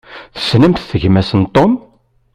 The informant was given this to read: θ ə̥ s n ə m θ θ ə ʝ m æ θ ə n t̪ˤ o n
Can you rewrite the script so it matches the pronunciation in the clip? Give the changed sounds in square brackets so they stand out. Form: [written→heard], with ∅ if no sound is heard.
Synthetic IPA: θ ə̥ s n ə m θ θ ə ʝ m æ [θ→s] ə n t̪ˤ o [n→m]